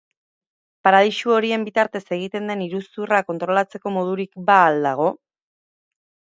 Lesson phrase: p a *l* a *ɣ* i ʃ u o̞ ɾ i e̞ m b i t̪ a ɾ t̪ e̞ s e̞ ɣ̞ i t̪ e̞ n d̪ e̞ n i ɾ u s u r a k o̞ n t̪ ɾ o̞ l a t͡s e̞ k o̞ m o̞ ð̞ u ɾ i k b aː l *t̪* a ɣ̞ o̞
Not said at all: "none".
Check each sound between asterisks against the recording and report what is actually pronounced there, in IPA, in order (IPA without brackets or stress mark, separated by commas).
ɾ, ð, d̪